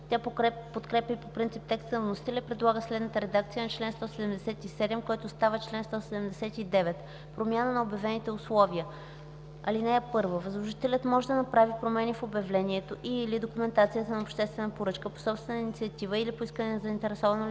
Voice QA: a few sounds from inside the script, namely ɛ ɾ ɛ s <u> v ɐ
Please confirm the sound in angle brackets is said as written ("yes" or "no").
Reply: no